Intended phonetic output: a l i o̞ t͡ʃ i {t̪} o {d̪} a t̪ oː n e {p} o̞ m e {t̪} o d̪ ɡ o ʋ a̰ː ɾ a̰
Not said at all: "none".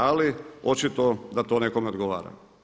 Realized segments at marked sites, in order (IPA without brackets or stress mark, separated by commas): t̪, d̪, k, none